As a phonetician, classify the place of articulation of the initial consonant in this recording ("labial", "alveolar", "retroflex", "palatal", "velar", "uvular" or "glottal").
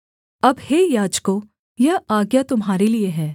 labial